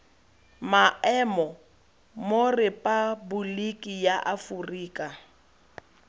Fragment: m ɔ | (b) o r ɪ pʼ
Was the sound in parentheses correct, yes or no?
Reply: no